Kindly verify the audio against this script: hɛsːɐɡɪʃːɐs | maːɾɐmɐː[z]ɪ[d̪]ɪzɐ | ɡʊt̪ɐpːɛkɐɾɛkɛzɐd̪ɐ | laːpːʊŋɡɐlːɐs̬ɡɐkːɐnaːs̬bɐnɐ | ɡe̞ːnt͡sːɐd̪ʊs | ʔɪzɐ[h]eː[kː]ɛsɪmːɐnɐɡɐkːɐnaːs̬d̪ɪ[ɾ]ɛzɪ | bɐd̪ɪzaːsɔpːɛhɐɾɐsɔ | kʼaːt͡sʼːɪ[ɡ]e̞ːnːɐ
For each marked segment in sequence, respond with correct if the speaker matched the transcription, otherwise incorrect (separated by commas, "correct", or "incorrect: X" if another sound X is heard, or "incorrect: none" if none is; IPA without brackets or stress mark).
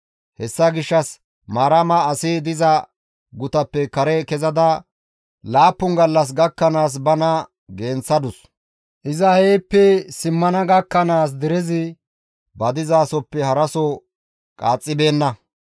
incorrect: s, correct, correct, incorrect: pː, correct, incorrect: b